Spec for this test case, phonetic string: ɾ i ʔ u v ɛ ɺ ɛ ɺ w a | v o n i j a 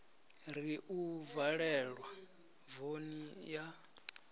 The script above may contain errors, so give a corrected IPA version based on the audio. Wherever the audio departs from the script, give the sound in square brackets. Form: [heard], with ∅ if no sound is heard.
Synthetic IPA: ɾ i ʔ u v [a] ɺ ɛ ɺ w a | v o n i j a